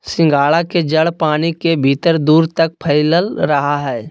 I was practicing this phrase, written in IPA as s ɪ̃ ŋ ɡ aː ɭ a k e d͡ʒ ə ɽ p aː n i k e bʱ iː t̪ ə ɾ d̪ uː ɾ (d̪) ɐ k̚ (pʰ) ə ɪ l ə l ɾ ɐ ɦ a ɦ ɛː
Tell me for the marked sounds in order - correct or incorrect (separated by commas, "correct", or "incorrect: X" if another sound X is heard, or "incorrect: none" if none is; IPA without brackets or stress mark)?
incorrect: t̪, correct